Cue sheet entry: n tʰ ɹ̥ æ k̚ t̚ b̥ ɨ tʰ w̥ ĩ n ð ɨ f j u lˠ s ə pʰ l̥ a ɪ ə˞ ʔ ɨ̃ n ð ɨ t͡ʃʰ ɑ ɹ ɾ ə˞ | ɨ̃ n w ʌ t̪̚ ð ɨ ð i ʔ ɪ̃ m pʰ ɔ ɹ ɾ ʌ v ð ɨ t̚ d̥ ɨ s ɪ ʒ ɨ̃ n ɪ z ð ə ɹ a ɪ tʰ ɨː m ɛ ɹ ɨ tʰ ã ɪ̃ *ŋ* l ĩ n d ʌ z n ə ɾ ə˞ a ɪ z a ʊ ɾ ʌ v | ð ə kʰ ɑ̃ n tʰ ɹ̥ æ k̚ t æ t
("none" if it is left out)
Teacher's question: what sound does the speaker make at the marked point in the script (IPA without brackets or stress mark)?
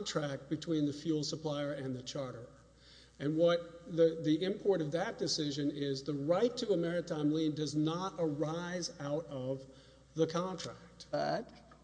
m